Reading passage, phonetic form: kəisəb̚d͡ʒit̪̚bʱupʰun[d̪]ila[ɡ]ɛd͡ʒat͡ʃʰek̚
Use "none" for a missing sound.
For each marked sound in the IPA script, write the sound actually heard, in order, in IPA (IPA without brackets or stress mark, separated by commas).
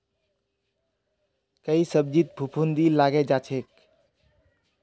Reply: d̪, ɡ